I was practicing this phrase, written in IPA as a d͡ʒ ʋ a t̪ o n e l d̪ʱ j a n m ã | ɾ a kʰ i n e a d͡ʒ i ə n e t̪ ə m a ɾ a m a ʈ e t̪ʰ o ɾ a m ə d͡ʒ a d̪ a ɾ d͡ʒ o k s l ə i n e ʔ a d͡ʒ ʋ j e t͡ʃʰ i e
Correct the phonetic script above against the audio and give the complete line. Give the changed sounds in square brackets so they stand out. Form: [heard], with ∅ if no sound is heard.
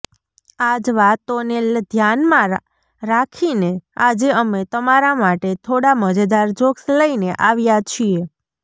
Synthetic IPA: a d͡ʒ ʋ a t̪ o n e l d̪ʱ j a n m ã | ɾ a kʰ i n e a d͡ʒ [e] ə [m] e t̪ ə m a ɾ a m a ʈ e t̪ʰ o [ɽ] a m ə d͡ʒ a d̪ a ɾ d͡ʒ o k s l ə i n e ʔ a [∅] ʋ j [a] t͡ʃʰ i e